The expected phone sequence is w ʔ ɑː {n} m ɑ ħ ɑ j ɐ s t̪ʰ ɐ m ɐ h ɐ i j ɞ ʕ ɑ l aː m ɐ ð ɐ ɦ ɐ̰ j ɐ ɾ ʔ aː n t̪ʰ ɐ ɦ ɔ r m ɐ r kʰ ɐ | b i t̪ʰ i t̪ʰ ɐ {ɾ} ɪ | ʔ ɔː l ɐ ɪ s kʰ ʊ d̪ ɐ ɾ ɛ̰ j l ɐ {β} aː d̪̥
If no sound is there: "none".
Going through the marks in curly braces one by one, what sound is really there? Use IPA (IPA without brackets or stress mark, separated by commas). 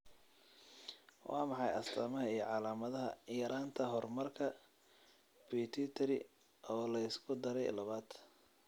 none, ɾ, β